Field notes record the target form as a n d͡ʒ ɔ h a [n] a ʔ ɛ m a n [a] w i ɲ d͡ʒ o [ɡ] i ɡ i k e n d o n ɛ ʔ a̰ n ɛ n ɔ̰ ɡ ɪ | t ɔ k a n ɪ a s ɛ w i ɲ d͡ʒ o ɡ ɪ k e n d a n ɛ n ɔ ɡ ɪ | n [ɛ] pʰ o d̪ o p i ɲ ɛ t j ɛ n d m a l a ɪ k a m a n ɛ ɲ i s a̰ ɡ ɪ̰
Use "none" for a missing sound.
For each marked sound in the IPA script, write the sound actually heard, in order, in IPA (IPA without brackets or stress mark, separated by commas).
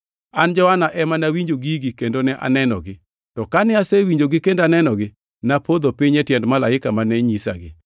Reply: n, a, ɡ, a